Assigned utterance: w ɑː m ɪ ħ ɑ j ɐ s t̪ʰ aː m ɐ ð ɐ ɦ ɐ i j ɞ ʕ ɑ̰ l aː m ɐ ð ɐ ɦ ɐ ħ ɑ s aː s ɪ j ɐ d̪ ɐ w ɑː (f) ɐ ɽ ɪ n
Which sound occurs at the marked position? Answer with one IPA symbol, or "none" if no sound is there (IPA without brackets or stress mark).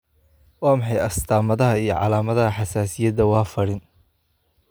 f